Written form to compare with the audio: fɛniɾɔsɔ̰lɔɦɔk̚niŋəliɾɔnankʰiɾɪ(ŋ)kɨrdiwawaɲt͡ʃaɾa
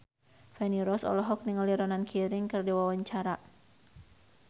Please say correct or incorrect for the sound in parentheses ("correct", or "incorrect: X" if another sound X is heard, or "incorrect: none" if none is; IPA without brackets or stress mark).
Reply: correct